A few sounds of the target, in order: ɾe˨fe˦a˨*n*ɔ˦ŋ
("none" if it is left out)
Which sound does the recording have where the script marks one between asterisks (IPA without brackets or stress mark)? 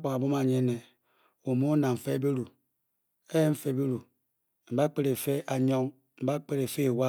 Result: ɲ